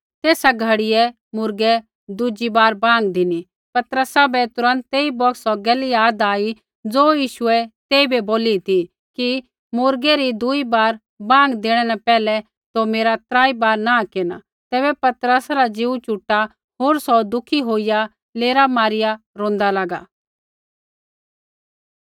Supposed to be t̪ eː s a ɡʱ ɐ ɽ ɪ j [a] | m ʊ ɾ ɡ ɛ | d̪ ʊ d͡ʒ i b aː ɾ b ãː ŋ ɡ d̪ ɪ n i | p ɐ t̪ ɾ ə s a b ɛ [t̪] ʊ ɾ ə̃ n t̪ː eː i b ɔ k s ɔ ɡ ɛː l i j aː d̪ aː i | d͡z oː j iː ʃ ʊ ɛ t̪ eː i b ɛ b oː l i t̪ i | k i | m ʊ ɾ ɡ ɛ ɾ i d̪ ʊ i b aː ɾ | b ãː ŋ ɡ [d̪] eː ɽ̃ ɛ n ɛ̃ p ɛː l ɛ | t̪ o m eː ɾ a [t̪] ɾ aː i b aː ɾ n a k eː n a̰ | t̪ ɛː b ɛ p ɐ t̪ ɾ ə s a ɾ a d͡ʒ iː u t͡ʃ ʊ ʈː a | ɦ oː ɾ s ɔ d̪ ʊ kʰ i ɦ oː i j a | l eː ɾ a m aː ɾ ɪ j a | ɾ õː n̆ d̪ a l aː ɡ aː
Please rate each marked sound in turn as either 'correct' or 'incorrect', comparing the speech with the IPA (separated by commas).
incorrect, correct, correct, correct